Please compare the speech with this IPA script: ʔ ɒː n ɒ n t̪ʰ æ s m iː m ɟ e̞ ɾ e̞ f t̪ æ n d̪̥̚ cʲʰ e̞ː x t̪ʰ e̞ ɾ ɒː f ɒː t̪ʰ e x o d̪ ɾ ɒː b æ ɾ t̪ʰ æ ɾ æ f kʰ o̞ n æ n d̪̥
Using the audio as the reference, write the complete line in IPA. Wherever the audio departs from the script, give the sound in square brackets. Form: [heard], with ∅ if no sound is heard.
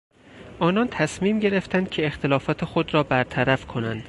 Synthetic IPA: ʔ ɒː n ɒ n t̪ʰ æ s m iː m ɟ e̞ ɾ e̞ f t̪ æ n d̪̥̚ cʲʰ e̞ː x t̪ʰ e̞ [l] ɒː f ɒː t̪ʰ e x o d̪ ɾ ɒː b æ ɾ t̪ʰ æ ɾ æ f kʰ o̞ n æ n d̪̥